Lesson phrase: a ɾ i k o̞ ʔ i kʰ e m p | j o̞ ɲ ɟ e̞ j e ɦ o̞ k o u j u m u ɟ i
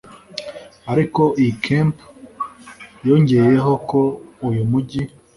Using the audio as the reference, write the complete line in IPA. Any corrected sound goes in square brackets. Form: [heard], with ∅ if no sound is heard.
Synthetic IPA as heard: a ɾ i k o̞ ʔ i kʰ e m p | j o̞ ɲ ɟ e̞ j e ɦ o̞ k o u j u m u ɟ i